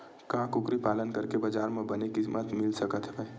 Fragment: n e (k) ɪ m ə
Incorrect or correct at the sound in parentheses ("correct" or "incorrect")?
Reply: correct